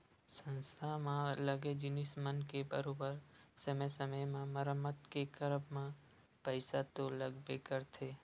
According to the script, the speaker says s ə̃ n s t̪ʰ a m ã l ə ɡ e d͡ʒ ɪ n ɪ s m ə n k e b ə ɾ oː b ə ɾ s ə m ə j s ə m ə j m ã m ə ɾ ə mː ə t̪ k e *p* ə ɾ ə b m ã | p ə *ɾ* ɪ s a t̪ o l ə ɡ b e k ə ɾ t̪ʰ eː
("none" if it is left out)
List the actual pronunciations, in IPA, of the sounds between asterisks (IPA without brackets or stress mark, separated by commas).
k, none